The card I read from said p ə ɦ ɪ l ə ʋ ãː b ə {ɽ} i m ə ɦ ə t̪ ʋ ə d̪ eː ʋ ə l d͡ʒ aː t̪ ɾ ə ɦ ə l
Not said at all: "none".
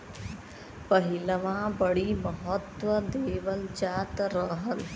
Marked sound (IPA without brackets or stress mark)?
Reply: ɽ